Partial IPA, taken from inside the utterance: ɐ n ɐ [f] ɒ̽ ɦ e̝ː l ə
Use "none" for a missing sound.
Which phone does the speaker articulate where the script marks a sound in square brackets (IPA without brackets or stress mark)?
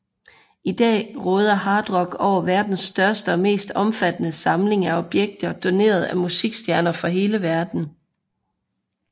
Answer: f